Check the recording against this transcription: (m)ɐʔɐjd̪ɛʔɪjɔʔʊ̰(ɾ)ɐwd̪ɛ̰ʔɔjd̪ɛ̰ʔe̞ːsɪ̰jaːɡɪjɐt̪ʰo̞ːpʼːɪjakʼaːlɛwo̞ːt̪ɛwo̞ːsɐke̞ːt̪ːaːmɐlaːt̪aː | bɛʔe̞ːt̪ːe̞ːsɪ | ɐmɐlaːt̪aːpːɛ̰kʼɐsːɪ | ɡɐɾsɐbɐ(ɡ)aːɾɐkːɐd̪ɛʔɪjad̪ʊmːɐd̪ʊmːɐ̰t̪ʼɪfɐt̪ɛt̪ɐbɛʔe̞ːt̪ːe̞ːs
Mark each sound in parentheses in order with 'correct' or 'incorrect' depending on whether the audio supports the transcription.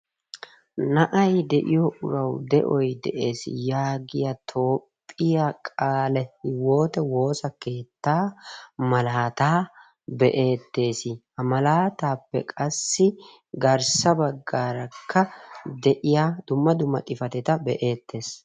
incorrect, correct, incorrect

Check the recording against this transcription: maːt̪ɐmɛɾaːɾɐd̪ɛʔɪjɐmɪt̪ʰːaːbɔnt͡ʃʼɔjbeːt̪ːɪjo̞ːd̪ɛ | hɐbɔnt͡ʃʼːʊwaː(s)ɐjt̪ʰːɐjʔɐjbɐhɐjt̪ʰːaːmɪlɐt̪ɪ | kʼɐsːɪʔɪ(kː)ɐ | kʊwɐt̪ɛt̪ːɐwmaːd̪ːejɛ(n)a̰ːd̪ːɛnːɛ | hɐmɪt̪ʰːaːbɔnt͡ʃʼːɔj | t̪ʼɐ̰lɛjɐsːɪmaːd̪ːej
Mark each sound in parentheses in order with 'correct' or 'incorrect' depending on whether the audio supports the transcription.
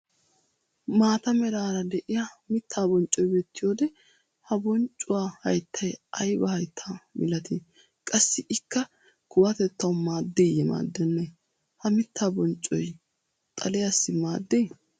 incorrect, correct, incorrect

